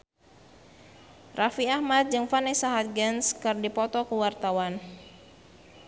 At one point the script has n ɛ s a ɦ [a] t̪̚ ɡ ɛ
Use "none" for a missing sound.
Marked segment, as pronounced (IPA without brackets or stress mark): a